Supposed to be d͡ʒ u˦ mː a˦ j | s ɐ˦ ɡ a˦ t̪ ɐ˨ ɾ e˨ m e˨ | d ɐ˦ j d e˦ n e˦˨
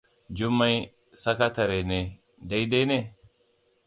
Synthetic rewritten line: d͡ʒ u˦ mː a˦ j | s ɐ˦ k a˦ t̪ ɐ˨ ɾ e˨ n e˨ | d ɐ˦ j d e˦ n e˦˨